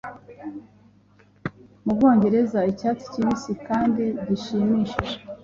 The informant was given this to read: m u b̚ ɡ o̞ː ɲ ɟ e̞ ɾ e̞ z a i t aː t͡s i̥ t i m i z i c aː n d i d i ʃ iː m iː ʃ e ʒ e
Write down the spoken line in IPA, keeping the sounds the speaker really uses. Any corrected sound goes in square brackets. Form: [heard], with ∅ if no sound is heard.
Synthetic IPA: m u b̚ ɡ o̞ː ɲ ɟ e̞ ɾ e̞ z a i [c] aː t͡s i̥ [c] i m i [s] i [k] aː n d i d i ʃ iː m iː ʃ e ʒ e